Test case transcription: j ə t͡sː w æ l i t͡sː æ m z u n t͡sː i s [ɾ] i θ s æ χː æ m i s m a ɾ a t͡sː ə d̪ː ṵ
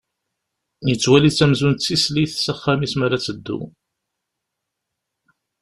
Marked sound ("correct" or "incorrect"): incorrect